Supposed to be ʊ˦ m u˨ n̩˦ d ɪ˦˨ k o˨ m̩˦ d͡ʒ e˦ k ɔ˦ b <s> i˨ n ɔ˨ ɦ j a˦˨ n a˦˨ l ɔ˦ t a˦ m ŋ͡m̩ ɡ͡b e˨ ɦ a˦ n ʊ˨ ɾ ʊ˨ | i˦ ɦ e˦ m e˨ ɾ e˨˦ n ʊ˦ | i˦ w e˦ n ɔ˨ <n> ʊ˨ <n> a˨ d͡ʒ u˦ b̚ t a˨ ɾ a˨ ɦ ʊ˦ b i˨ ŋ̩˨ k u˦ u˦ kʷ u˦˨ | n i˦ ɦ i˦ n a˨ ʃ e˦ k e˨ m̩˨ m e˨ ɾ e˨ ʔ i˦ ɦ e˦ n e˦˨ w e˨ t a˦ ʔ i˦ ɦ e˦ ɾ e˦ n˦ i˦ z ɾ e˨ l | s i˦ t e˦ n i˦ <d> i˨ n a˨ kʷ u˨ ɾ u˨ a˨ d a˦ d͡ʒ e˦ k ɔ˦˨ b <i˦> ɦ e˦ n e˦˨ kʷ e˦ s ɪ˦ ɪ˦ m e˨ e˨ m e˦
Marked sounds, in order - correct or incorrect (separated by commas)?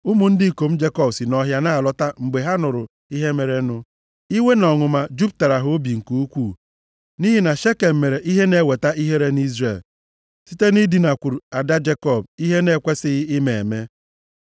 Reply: correct, incorrect, incorrect, correct, correct